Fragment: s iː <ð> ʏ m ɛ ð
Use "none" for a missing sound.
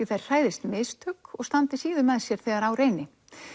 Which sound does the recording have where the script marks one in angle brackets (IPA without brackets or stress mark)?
ð